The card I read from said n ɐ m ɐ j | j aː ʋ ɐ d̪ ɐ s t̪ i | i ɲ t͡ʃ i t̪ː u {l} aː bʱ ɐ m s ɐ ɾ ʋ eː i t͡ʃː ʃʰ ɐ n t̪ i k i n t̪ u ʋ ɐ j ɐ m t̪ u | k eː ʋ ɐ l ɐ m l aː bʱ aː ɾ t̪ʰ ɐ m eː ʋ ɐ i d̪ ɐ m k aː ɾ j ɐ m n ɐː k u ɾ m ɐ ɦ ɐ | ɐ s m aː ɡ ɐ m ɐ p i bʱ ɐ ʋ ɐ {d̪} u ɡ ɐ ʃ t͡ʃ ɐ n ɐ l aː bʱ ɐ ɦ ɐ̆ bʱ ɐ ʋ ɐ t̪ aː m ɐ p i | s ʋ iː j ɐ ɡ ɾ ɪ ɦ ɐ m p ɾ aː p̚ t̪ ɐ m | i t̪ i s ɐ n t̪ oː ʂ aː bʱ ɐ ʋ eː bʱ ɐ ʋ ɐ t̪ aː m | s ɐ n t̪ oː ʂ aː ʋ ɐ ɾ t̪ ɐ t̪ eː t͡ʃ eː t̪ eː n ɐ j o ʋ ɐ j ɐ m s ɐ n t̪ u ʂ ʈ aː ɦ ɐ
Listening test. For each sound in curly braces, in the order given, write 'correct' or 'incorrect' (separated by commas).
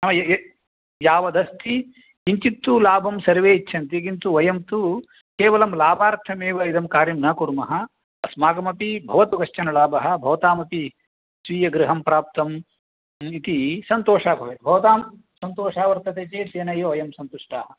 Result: correct, incorrect